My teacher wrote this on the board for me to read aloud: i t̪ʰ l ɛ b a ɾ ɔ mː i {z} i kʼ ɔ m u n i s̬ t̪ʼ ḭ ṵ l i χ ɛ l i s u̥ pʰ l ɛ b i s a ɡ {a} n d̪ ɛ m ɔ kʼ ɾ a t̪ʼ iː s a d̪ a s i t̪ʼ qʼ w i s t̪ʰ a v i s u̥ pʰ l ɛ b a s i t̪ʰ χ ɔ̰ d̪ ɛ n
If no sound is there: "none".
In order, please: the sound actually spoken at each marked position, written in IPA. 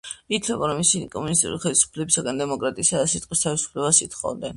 s, a

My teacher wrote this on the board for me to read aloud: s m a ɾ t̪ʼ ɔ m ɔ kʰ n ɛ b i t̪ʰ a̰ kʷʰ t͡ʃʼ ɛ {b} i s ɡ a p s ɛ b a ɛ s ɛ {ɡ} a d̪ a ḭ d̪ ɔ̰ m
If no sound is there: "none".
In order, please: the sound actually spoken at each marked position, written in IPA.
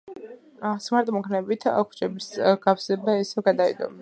b, ɡ

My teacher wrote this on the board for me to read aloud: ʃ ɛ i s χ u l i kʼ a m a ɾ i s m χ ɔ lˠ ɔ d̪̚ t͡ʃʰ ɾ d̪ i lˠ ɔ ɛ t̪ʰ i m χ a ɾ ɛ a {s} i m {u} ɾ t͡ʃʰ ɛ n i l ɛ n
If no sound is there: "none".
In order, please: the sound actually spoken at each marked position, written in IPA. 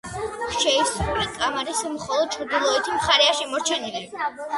ʃ, ɔ

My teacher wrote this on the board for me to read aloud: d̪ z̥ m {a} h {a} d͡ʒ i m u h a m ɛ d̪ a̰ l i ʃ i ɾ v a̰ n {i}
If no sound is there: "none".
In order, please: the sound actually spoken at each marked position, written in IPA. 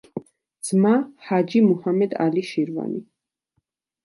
a, a, i

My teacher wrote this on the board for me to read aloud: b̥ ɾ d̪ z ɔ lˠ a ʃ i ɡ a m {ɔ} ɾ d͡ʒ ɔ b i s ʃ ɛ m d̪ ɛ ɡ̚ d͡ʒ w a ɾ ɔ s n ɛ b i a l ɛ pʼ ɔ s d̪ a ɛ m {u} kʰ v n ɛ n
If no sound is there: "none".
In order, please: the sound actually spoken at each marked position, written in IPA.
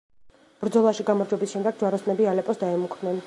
ɔ, u

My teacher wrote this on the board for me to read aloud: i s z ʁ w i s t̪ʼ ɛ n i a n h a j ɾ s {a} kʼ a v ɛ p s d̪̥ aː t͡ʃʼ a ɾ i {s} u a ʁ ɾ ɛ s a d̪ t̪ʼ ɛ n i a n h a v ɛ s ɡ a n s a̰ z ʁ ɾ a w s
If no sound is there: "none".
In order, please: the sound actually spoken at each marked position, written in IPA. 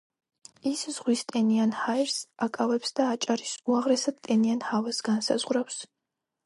a, s

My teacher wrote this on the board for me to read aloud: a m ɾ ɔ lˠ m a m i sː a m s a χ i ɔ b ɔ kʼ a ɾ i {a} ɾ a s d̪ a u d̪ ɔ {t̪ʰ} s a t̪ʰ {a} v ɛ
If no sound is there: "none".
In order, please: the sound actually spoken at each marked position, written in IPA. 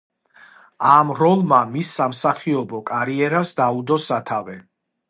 ɛ, none, a

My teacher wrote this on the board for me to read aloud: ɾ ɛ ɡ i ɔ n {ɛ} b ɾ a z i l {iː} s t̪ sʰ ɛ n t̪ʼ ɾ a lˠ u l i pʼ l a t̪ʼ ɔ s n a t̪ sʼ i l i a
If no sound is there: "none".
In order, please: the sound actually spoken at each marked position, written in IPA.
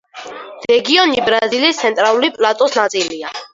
i, i

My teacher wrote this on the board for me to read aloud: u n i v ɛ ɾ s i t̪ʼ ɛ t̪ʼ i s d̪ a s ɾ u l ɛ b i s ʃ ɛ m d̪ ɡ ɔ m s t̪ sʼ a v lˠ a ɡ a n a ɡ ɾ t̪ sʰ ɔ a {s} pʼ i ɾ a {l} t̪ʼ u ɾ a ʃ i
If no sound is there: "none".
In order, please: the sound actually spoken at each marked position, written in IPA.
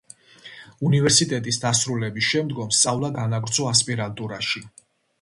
s, l

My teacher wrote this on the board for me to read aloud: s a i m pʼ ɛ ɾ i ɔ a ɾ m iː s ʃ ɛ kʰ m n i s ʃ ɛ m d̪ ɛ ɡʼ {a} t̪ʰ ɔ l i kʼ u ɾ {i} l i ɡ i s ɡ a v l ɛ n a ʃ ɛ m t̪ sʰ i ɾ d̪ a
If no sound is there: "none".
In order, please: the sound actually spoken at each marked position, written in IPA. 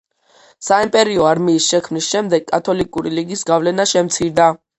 a, i

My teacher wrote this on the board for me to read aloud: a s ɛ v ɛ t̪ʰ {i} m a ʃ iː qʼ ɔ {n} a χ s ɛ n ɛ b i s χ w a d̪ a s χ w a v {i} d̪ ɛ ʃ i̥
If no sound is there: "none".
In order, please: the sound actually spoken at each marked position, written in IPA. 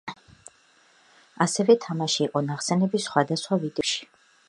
a, n, i

